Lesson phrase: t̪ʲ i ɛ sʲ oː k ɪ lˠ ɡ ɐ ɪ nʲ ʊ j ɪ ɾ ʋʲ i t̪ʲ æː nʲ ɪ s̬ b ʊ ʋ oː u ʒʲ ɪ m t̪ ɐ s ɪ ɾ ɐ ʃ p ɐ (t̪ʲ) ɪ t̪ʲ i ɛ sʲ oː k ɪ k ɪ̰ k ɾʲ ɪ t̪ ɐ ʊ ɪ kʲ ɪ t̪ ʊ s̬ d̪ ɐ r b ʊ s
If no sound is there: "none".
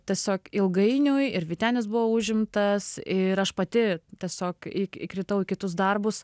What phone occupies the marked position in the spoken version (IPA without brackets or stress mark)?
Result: t̪ʲ